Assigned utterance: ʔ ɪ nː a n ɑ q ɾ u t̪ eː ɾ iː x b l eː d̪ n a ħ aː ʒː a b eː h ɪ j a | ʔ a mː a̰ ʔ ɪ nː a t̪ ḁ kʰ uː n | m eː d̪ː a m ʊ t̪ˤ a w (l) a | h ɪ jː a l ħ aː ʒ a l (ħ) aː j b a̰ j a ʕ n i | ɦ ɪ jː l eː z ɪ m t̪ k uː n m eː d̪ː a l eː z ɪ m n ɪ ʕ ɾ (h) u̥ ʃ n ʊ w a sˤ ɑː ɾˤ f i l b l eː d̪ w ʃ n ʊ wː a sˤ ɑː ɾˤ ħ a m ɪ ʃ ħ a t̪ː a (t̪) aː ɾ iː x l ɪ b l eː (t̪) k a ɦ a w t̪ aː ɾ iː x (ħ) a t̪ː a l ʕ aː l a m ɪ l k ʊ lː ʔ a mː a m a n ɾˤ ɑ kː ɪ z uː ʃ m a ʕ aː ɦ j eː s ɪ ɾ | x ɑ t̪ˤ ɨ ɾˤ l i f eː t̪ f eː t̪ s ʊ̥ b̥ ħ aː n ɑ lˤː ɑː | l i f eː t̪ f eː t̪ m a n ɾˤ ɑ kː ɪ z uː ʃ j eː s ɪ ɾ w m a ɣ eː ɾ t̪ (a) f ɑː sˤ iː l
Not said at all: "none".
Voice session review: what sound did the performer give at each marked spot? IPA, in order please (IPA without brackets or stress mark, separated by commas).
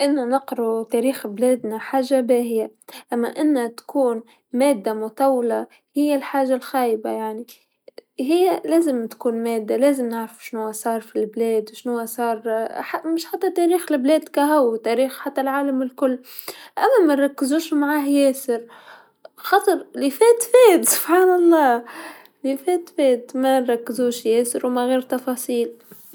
l, x, f, t̪, d̪, ħ, ɑ